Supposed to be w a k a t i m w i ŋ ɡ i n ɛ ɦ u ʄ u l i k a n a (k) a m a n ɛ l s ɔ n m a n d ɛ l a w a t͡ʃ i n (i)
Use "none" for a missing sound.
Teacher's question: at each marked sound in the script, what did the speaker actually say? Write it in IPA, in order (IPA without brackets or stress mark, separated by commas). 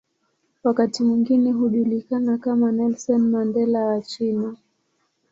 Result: k, a